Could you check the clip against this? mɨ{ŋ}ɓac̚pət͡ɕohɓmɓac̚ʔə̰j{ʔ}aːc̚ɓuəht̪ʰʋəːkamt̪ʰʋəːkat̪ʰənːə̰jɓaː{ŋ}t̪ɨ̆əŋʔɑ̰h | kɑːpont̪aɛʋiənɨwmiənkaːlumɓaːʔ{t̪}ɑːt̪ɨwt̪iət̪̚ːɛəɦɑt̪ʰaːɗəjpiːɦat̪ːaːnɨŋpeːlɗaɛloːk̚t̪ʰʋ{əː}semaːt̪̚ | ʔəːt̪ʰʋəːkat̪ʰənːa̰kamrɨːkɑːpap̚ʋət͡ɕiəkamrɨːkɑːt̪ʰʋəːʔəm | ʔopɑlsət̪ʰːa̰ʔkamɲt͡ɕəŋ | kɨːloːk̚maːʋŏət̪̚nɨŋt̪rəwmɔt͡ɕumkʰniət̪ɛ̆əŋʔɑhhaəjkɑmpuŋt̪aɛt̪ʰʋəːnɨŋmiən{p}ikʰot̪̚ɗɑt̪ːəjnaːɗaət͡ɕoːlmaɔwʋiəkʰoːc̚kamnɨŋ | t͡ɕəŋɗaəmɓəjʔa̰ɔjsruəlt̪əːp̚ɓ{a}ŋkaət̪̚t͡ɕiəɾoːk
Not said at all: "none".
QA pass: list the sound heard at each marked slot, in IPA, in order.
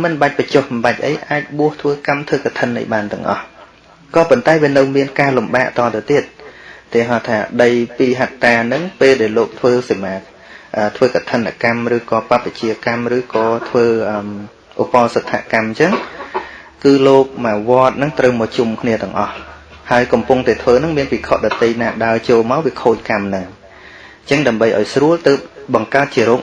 n, ʔ, n, t̪, əː, p, ɑ

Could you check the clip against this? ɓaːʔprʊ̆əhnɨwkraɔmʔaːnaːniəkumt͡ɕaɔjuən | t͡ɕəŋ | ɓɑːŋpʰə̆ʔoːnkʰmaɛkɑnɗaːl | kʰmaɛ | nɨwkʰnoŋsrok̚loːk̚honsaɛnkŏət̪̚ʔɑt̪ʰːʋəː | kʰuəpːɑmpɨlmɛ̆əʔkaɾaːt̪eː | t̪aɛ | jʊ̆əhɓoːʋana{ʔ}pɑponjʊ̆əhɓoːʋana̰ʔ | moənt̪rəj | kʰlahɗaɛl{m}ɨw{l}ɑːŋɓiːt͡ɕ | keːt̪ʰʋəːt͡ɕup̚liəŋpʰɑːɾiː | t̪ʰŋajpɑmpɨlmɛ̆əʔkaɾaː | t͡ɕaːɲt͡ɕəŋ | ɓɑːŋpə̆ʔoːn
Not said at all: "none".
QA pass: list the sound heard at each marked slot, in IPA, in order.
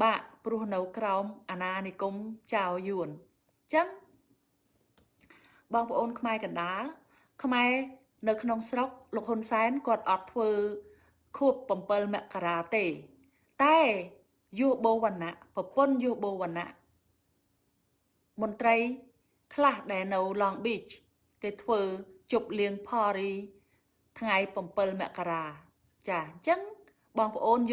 ʔ, n, l

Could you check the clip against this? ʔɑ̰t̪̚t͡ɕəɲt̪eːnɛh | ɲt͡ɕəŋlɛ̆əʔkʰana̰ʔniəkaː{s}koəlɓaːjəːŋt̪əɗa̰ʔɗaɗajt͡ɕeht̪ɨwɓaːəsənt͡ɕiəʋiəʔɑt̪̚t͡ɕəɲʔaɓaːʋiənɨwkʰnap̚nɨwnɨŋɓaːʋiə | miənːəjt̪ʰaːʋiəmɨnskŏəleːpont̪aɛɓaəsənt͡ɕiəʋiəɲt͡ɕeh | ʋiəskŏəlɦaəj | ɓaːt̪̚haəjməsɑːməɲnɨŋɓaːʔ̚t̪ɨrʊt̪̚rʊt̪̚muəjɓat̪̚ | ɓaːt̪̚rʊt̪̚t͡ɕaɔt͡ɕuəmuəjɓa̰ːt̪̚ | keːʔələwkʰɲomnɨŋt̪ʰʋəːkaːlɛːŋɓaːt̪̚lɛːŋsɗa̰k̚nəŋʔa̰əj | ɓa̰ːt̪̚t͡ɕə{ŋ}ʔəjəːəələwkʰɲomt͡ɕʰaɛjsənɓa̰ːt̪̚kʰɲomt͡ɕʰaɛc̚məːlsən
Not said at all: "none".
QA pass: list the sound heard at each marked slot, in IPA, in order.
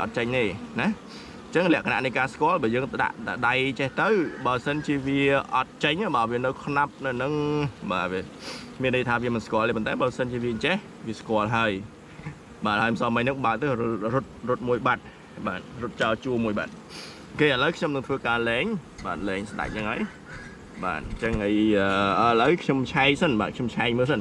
s, ŋ

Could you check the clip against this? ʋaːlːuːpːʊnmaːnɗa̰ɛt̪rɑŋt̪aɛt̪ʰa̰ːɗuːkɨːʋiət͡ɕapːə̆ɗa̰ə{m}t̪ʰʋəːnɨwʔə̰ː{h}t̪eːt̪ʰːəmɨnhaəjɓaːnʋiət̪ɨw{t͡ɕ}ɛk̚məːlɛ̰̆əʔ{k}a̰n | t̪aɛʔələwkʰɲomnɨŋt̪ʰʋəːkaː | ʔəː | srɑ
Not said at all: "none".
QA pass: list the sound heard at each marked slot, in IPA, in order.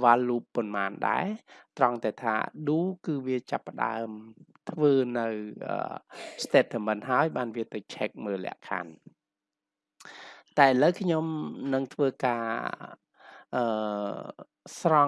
m, s, t͡ɕʰ, kʰ

